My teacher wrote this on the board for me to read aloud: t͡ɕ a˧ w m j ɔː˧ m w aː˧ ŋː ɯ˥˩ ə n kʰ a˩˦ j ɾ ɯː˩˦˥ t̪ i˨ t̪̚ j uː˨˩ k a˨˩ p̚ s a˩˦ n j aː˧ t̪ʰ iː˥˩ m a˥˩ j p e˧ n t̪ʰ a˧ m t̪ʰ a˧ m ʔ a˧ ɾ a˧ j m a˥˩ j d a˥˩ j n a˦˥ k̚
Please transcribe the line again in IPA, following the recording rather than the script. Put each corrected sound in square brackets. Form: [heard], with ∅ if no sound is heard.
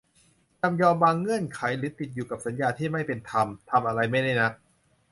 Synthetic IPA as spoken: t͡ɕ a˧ [∅] m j ɔː˧ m w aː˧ ŋː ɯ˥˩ ə n kʰ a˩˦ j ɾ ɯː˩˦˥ t̪ i˨ t̪̚ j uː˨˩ k a˨˩ p̚ s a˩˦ n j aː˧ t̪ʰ iː˥˩ m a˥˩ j p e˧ n t̪ʰ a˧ m t̪ʰ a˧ m ʔ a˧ ɾ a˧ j m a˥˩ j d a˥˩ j n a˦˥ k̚